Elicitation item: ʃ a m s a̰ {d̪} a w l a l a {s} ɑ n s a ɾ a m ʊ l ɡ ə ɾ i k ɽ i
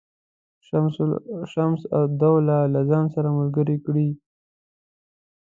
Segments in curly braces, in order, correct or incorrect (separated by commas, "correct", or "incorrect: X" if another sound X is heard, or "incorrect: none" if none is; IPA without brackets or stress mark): correct, incorrect: z